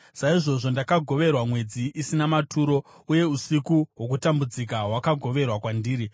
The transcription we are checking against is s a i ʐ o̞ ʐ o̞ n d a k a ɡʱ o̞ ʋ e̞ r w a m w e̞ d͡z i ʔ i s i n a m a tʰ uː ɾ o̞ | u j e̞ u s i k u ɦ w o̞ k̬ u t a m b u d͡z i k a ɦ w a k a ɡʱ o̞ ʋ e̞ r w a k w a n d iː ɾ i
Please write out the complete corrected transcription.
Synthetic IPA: s a i ʐ o̞ ʐ o̞ n d a k a ɡʱ o̞ ʋ e̞ r w a m w e̞ d͡z i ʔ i s i n a m a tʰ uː ɾ o̞ | u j e̞ u s i k u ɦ w o̞ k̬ u t a m b u d͡z i k a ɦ w a k a ɡʱ o̞ ʋ e̞ r w a k w a n d iː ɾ i